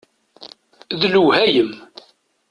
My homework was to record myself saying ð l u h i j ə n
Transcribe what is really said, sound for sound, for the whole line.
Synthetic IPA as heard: ð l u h æ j ə m